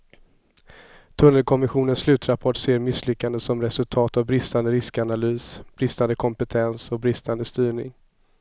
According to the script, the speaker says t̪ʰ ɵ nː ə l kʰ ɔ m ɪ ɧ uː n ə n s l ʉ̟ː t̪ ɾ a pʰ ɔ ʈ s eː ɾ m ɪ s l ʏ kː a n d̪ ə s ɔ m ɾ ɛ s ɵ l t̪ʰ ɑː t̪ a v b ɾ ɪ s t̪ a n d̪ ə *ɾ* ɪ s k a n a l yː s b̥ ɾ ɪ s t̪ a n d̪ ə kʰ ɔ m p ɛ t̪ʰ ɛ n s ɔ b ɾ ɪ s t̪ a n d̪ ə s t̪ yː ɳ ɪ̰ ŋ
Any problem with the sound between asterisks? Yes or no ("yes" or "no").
no